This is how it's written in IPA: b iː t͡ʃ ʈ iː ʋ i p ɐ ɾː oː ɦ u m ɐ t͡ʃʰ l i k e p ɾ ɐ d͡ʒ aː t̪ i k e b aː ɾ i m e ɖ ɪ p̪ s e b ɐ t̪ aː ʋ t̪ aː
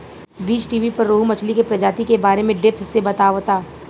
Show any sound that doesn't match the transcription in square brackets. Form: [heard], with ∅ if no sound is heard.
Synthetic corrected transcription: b iː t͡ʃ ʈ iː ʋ i p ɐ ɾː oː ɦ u m ɐ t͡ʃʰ l i k e p ɾ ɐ d͡ʒ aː t̪ i k e b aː ɾ [e] m [ẽ] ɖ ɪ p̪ s e b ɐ t̪ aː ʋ t̪ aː